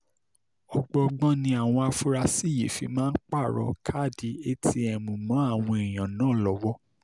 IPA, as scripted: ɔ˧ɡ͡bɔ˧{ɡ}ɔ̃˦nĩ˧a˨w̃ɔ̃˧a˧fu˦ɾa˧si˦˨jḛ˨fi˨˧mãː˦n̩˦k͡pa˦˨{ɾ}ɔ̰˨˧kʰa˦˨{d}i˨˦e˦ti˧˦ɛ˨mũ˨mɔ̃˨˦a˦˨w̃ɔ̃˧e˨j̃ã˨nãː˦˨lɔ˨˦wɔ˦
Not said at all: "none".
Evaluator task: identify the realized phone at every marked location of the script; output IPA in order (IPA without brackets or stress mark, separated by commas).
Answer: ɡ͡b, ɾ, d